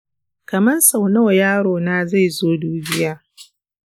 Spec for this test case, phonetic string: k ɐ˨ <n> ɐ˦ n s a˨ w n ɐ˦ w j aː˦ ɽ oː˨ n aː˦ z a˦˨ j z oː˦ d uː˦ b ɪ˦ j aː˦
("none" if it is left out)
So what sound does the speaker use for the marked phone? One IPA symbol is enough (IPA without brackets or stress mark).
m